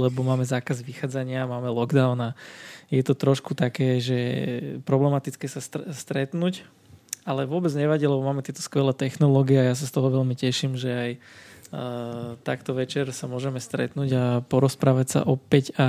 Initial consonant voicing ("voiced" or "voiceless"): voiced